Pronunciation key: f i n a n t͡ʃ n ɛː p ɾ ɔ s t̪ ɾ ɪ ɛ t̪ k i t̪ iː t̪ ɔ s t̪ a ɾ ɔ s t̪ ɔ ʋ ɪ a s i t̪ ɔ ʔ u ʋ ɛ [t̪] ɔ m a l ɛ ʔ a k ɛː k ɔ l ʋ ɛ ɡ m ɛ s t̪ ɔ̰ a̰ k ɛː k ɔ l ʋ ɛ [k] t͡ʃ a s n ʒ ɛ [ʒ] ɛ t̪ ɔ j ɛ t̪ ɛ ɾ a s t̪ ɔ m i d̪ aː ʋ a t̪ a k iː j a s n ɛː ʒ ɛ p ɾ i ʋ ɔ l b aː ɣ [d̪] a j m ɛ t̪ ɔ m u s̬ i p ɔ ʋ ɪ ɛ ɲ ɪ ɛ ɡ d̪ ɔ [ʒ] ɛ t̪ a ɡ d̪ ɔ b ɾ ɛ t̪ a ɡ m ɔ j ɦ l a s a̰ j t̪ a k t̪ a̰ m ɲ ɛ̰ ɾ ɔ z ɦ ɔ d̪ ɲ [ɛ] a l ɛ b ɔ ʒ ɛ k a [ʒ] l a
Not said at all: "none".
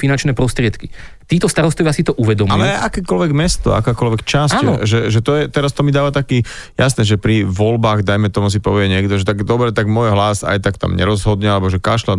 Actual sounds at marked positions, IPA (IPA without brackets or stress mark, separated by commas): d̪, k, ʒ, d̪, ʒ, ɛ, ʃ